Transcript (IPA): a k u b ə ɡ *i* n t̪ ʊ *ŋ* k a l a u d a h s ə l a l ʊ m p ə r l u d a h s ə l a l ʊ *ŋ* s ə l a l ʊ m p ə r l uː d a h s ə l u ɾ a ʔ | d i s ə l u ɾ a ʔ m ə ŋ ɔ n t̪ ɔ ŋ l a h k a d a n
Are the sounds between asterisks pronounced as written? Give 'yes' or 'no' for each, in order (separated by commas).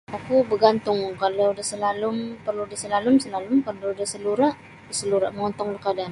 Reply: no, yes, no